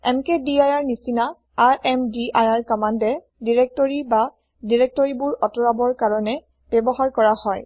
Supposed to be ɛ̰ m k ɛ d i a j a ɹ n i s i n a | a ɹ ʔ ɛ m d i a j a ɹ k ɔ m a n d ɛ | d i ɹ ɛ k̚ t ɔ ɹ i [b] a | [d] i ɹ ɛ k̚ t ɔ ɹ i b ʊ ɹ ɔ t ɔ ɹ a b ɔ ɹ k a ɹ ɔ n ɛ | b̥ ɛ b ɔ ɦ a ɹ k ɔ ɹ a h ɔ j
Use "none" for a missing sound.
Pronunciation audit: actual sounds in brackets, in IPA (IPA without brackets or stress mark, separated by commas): b, d